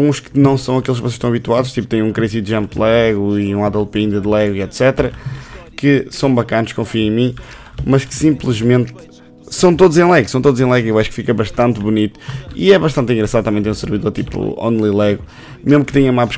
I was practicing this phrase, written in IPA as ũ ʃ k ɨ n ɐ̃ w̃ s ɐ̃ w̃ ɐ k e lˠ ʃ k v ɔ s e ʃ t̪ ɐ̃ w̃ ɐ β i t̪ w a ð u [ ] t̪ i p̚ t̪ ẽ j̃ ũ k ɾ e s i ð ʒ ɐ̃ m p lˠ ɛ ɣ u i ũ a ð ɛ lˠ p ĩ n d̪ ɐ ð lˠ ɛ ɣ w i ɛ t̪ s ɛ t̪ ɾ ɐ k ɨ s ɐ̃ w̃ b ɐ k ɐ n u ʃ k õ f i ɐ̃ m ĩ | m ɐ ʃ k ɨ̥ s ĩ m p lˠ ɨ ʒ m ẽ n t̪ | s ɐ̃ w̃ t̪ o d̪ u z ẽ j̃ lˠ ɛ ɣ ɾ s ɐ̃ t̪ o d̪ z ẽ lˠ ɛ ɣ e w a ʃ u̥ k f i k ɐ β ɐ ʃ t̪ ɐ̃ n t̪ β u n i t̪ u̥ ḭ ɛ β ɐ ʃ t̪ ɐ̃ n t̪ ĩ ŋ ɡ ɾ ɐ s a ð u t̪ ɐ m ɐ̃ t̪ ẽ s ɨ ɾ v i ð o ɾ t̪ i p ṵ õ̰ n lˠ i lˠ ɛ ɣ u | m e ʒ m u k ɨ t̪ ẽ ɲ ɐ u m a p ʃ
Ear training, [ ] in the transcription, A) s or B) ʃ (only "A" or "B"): B